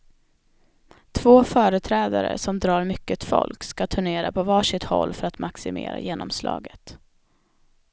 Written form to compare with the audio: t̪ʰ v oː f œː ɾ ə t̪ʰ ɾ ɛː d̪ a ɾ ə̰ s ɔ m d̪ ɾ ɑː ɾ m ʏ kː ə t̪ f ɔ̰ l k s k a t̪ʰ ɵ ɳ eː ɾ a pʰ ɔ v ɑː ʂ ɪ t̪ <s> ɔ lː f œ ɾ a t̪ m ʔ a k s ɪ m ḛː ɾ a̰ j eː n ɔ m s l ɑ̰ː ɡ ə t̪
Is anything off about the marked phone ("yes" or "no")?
yes